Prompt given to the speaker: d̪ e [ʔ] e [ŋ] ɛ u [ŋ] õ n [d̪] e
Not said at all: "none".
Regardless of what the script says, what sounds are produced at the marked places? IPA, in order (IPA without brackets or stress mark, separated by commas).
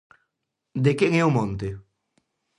k, ŋ, m, t̪